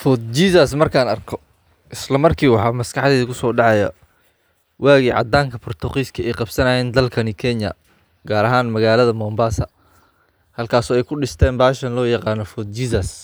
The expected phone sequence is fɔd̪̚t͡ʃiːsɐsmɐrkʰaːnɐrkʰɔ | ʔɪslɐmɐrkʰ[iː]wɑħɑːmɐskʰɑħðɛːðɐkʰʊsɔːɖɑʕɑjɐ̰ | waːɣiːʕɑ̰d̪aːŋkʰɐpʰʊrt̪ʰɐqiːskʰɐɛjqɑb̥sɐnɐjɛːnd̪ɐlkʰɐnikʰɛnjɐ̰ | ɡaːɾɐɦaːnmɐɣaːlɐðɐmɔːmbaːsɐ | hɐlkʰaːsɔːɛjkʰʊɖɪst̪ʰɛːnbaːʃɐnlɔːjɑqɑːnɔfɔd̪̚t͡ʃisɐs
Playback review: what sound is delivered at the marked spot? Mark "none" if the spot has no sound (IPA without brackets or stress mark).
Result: iː